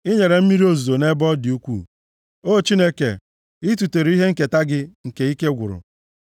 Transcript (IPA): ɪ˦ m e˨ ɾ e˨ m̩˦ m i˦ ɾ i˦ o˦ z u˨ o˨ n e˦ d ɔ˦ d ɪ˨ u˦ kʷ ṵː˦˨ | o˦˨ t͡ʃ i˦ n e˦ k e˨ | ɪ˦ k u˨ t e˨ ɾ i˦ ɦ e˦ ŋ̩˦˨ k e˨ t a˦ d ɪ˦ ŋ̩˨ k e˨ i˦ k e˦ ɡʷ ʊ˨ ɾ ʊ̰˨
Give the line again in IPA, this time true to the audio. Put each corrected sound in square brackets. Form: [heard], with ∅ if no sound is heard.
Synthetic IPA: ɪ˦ [ɲ] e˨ ɾ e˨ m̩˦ m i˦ ɾ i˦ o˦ z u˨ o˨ n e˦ [b] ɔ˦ d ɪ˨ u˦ kʷ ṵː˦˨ | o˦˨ t͡ʃ i˦ n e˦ k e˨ | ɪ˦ [t] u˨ t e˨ ɾ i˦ ɦ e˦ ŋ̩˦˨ k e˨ t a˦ [ɡ] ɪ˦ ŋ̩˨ k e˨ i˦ k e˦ ɡʷ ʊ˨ ɾ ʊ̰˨